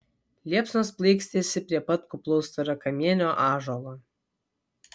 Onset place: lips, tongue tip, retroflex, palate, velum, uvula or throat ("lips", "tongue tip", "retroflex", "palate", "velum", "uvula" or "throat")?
tongue tip